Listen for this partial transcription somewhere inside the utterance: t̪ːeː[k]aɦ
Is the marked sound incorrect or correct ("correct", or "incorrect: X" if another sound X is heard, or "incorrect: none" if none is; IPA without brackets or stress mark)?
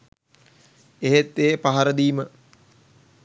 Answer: incorrect: p